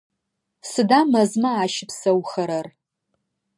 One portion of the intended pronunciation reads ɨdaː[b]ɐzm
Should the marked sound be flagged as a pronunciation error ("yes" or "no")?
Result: yes